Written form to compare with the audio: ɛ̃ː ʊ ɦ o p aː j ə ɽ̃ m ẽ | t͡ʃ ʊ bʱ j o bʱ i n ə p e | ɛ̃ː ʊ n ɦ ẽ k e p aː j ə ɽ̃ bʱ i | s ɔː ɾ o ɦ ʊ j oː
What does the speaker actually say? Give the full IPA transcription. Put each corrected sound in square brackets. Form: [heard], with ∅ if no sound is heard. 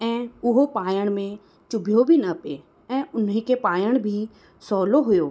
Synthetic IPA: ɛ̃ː ʊ ɦ o p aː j ə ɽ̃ m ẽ | t͡ʃ ʊ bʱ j o bʱ i n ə p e | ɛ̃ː ʊ n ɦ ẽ k e p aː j ə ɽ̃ bʱ i | s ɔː [l] o ɦ ʊ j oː

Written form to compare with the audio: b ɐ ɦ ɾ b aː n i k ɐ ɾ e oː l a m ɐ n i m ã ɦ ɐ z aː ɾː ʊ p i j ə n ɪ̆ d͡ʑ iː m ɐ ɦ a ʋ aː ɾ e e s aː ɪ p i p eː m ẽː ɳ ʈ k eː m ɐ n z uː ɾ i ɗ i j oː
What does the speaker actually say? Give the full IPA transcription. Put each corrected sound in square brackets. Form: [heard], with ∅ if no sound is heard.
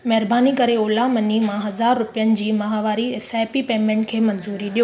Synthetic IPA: [m] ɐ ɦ ɾ b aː n i k ɐ ɾ e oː l a m ɐ n i m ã ɦ ɐ z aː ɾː ʊ p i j ə n ɪ̆ d͡ʑ iː m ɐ ɦ a ʋ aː ɾ [i] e s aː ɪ p i p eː m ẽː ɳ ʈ [kʰ] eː m ɐ n z uː ɾ i ɗ i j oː

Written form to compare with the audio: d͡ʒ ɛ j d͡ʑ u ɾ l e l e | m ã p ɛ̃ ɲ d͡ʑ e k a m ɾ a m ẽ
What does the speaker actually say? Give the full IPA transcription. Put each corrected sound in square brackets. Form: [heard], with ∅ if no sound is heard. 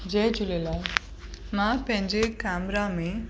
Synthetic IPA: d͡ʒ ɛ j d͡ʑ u [∅] l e l [a] | m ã p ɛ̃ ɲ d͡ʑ e k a m ɾ a m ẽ

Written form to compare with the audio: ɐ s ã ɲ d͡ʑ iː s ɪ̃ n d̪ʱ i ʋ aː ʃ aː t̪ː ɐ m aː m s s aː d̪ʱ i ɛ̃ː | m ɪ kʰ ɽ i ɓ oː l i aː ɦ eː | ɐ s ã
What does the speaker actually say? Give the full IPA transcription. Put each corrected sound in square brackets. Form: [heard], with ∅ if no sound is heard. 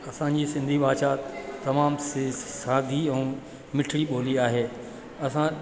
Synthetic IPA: ɐ s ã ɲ d͡ʑ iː s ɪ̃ n d̪ʱ i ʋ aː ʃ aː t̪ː ɐ m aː m s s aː d̪ʱ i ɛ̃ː | m ɪ [ʈʰ] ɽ i ɓ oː l i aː ɦ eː | ɐ s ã

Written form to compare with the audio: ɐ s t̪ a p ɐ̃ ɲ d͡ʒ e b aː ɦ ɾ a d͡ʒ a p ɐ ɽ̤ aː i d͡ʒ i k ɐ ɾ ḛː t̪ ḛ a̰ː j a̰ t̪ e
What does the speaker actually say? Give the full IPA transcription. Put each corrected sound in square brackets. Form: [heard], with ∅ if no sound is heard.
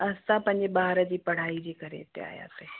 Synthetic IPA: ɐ s t̪ a p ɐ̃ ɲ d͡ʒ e b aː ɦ ɾ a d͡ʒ [i] p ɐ ɽ̤ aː i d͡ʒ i k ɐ ɾ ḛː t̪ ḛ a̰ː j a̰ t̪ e

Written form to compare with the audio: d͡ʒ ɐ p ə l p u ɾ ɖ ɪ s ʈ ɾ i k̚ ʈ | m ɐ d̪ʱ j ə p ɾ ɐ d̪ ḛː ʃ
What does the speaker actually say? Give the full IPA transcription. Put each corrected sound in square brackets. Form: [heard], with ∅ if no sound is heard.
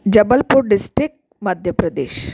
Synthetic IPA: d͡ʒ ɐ [b] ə l p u ɾ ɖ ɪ s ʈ ɾ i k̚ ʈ | m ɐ d̪ʱ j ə p ɾ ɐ d̪ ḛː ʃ

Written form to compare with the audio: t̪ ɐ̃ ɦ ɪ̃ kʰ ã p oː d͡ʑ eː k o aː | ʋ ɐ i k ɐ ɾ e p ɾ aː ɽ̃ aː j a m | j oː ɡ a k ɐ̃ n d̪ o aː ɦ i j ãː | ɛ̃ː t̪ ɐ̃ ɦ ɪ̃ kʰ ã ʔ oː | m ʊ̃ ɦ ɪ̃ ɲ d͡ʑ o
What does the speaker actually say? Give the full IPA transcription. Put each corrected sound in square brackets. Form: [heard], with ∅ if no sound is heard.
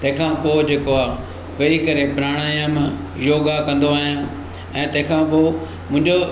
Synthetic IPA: t̪ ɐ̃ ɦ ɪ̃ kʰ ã p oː d͡ʑ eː k o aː | ʋ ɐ i k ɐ ɾ e p ɾ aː ɽ̃ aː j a m | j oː ɡ a k ɐ̃ n d̪ o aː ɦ i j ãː | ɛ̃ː t̪ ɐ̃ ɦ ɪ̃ kʰ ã [p] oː | m ʊ̃ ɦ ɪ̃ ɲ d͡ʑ o

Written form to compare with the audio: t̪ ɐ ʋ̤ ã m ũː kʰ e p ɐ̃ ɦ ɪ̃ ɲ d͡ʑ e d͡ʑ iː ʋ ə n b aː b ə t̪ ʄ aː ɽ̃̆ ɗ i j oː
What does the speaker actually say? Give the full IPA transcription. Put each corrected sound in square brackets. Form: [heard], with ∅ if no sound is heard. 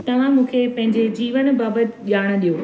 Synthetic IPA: t̪ ɐ ʋ̤ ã m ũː kʰ e p ɐ̃ ɦ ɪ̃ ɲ d͡ʑ e d͡ʑ iː ʋ ə n b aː b ə t̪ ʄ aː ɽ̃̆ ɗ i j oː

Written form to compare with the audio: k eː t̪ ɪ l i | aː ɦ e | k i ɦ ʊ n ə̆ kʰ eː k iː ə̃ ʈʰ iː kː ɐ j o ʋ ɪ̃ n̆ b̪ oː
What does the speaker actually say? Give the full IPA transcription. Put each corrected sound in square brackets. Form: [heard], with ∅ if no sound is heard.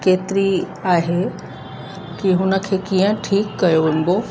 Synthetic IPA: k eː t̪ ɪ [ɾ] i | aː ɦ e | k i ɦ ʊ n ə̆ kʰ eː k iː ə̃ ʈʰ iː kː ɐ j o ʋ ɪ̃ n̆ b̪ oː

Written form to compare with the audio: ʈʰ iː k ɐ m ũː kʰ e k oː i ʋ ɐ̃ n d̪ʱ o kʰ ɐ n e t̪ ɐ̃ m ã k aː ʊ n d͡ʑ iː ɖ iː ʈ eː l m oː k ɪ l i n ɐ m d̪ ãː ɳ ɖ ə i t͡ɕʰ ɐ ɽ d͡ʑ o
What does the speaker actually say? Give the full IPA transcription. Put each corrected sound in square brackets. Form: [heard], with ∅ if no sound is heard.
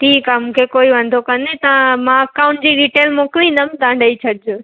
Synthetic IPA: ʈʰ iː k [a] m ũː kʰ e k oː i ʋ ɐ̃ n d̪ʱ o [k] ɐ n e t̪ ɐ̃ m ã k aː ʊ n d͡ʑ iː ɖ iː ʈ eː l m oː k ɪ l i n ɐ m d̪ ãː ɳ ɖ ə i t͡ɕʰ ɐ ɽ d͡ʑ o

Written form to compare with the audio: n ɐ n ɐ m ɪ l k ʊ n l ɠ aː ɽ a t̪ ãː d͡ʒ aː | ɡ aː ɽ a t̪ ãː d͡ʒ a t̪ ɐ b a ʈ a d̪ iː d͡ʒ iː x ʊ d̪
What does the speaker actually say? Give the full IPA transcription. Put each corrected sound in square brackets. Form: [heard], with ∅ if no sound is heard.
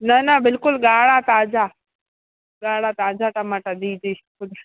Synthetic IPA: n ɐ n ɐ [b] ɪ l k ʊ [∅] l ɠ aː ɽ a t̪ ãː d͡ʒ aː | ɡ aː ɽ a t̪ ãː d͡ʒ a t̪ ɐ [m] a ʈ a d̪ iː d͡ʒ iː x ʊ d̪

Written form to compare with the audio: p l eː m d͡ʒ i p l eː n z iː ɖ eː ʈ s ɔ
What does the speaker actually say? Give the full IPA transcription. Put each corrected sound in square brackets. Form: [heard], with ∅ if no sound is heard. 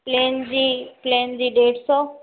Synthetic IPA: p l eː [n] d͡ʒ i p l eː n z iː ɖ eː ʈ s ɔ

